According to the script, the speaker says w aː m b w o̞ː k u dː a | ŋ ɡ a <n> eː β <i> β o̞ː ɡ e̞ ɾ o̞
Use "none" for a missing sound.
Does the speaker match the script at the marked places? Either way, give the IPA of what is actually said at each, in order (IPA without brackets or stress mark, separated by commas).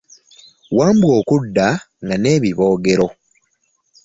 n, i